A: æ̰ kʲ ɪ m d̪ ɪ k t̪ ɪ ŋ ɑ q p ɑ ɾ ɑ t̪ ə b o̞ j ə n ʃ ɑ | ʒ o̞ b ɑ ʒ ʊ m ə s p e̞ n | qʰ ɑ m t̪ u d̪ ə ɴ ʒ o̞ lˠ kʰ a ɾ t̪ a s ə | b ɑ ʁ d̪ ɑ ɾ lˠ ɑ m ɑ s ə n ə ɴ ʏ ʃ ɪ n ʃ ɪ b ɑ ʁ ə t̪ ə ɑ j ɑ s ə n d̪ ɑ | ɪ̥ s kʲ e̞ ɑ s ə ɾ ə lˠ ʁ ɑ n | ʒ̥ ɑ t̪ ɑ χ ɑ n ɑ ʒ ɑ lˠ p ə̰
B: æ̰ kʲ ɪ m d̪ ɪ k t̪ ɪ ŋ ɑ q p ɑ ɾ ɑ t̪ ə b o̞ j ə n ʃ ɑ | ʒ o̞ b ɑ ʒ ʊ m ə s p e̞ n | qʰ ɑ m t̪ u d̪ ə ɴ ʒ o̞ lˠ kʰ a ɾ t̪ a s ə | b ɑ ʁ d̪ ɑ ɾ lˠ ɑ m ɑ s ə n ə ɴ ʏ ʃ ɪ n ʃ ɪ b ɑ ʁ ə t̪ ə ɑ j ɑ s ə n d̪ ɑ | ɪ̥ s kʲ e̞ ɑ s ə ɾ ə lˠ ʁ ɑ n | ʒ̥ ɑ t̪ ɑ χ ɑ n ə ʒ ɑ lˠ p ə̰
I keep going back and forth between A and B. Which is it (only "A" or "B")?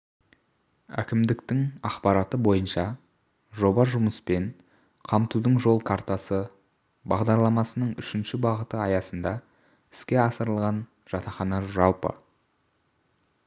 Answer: A